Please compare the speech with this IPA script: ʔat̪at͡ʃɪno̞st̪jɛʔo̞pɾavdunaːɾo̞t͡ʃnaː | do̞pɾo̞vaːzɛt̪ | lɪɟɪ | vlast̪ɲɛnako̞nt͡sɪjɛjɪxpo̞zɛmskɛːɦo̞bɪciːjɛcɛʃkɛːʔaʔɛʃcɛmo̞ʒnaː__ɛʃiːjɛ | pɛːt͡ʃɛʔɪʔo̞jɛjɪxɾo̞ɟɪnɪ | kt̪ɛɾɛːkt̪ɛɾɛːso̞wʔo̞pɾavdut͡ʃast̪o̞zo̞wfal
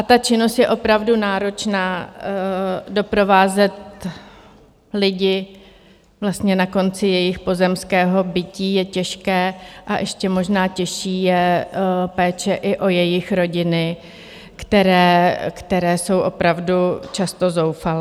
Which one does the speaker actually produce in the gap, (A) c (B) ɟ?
A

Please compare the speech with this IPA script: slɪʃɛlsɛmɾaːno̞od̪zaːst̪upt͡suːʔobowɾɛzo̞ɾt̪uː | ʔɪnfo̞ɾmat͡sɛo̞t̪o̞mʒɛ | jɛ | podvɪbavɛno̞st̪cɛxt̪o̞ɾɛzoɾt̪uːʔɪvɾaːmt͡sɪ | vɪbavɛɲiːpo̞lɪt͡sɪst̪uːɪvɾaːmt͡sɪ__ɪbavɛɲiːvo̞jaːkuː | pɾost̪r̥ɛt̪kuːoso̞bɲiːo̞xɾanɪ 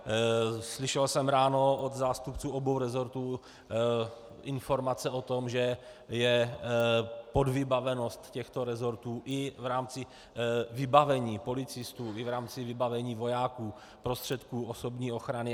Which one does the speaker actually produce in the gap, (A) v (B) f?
A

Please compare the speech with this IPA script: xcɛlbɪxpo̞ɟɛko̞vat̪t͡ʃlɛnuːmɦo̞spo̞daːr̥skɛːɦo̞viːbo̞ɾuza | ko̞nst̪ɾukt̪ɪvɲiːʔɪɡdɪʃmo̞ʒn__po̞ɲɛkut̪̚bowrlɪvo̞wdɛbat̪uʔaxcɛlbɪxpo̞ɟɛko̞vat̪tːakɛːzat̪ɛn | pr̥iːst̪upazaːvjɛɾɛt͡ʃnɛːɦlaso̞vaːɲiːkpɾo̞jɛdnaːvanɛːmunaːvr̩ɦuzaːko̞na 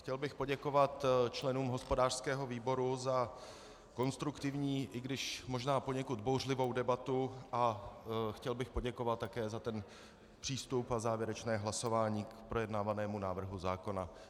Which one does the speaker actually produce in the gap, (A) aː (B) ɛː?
A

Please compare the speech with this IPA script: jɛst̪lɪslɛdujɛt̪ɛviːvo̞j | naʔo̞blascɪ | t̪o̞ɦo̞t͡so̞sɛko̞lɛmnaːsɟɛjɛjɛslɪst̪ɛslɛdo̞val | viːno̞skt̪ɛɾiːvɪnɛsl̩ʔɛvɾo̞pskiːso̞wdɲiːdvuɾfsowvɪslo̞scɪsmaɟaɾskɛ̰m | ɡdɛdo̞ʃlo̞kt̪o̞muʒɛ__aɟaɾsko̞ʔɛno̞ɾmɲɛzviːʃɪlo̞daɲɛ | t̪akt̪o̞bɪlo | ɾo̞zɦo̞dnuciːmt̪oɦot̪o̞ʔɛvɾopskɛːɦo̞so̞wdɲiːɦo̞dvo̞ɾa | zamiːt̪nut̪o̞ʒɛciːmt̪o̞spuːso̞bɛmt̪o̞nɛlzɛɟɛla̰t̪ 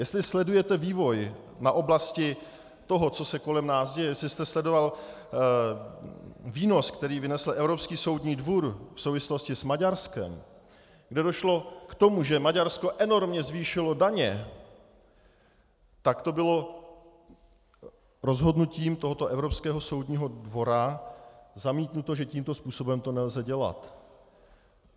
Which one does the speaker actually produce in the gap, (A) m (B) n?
A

